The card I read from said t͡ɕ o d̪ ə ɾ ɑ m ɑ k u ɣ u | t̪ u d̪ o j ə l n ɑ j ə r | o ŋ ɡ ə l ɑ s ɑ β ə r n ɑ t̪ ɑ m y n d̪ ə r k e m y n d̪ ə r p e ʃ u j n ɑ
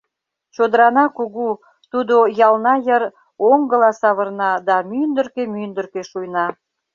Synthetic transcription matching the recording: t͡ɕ o d̪ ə ɾ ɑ n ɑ k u ɣ u | t̪ u d̪ o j ɑ l n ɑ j ə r | o ŋ ɡ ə l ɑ s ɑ β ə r n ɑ d̪ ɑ m y n d̪ ə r k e m y n d̪ ə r k e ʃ u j n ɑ